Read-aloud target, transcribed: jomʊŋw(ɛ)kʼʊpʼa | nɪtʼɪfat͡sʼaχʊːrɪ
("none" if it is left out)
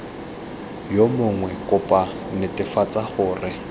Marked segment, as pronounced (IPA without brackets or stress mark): ɛ